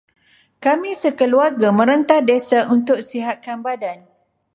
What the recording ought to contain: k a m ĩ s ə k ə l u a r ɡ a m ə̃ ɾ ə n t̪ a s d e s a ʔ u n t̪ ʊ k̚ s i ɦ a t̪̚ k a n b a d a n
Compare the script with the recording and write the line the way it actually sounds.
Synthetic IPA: k a m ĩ s ə k ə l u a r ɡ a m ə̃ ɾ ə n t̪ a h d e s a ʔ u n t̪ ʊ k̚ s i ɦ a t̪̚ k a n b a d a n

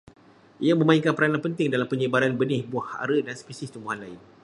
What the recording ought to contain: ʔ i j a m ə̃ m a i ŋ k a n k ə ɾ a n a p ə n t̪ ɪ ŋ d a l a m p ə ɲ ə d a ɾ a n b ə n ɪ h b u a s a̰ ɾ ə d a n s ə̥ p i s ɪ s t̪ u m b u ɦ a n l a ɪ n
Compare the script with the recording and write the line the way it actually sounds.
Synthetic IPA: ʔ i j a m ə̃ m a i ŋ k a n p ə ɾ a n a p ə n t̪ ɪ ŋ d a l a m p ə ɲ ə b a ɾ a n b ə n ɪ h b u a h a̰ ɾ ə d a n s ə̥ p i s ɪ s t̪ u m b u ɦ a n l a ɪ n

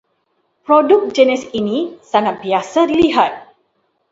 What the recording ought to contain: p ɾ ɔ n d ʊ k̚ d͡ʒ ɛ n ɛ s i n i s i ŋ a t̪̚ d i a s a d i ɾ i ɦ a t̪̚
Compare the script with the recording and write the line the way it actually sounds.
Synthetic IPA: p ɾ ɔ d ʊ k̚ d͡ʒ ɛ n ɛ s i n i s a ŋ a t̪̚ b i a s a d i l i ɦ a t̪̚

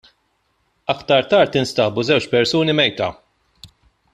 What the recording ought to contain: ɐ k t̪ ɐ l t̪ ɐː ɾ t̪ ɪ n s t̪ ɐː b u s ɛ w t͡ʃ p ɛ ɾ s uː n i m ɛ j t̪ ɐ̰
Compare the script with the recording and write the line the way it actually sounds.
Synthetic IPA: ɐ k t̪ ɐ ɾ t̪ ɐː ɾ t̪ ɪ n s t̪ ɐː b u z ɛ w t͡ʃ p ɛ ɾ s uː n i m ɛ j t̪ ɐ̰

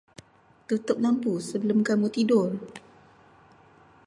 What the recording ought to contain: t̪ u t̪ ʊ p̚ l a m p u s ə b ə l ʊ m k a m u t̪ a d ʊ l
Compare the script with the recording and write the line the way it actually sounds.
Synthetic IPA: t̪ u t̪ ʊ p̚ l a m p u s ə b ə l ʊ m k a m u t̪ i d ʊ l

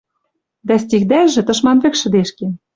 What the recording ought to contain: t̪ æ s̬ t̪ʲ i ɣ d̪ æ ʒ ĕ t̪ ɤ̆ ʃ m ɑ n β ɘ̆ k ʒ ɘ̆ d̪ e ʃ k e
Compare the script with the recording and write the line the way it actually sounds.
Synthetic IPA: d̪ æ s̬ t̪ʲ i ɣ d̪ æ ʒ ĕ t̪ ɤ̆ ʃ m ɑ n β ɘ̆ k ʃ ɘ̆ d̪ e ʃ k e

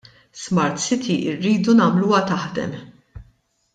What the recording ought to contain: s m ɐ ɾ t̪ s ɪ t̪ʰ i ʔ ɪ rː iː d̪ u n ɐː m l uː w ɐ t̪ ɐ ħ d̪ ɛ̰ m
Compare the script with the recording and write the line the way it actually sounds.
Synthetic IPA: s m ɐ ɾ t̪ s ɪ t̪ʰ i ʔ ɪ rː iː d̪ u n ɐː m l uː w ɐ t̪ ɐ ħ d̪ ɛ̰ m

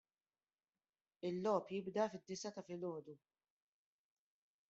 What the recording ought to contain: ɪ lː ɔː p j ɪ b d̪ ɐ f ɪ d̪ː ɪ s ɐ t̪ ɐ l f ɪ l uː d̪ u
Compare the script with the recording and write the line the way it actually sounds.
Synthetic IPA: ɪ lː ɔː p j ɪ b d̪ ɐ f ɪ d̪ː ɪ s ɐ t̪ ɐ f ɪ l ɔː d̪ u

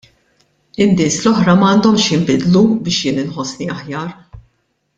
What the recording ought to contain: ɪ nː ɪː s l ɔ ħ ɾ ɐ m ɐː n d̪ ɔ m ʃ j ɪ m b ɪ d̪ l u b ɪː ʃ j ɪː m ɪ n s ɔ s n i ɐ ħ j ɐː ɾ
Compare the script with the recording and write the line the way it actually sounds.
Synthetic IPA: ɪ nː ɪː s l ɔ ħ ɾ ɐ m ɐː n d̪ ɔ m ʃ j ɪ m b ɪ d̪ l u b ɪː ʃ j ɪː n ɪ n ħ ɔ s n i ɐ ħ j ɐː ɾ

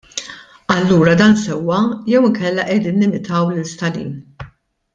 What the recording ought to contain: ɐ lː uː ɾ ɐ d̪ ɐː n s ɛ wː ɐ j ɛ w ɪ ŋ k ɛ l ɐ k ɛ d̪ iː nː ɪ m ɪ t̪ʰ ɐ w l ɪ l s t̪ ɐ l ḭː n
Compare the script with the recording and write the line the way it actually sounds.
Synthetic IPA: ɐ lː uː ɾ ɐ d̪ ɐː n s ɛ wː ɐ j ɛ w ɪ ŋ k ɛ lː ɐ ʔ ɛ d̪ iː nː ɪ m ɪ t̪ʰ ɐ w l ɪ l s t̪ ɐ l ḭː n

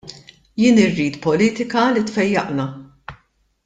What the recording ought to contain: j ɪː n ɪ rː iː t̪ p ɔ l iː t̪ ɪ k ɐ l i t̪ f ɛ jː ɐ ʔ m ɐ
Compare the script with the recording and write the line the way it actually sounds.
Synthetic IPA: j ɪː n ɪ rː iː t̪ p ɔ l iː t̪ ɪ k ɐ l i t̪ f ɛ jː ɐ ʔ n ɐ

